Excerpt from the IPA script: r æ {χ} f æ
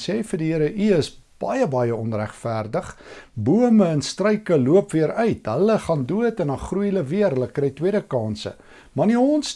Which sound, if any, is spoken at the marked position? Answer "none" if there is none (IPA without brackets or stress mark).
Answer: χ